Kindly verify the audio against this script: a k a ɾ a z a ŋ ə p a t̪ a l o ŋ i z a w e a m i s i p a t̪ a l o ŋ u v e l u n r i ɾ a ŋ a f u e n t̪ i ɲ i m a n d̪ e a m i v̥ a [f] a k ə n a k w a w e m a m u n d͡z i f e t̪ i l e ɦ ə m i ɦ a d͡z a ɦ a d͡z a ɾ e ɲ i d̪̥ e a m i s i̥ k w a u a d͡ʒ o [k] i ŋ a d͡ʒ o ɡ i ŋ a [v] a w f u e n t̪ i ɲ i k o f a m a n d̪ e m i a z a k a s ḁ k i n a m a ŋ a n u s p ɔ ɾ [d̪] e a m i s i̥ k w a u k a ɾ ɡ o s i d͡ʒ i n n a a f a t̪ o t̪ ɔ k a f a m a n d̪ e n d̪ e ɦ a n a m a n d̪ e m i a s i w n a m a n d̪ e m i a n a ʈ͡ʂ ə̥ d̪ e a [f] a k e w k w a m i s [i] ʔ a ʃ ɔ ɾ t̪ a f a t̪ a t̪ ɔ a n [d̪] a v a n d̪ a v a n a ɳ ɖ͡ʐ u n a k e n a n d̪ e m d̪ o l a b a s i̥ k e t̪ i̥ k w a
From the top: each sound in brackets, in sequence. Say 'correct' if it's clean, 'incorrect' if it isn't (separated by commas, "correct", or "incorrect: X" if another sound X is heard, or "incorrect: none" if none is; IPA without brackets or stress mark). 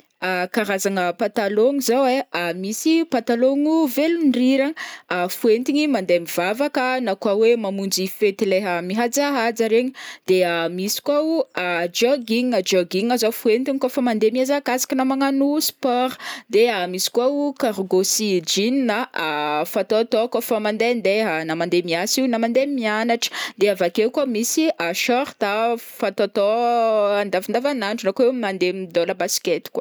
incorrect: v, incorrect: ɡ, incorrect: z, correct, incorrect: v, correct, correct